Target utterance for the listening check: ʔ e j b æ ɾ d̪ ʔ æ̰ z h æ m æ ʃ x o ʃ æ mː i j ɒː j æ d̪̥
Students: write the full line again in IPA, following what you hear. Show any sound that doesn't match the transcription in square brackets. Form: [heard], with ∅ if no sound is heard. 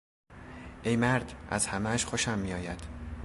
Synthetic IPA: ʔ e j [m] æ ɾ d̪ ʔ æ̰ z h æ m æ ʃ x o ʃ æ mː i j ɒː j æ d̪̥